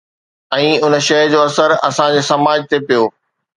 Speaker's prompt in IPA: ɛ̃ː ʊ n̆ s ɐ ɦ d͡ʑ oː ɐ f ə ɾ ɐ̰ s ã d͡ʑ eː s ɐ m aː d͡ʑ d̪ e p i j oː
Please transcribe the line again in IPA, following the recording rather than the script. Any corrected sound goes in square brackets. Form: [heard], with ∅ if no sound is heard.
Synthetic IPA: ɛ̃ː ʊ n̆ [ʃ] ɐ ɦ d͡ʑ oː ɐ [s] ə ɾ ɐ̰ s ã d͡ʑ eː s ɐ m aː d͡ʑ [t̪] e p i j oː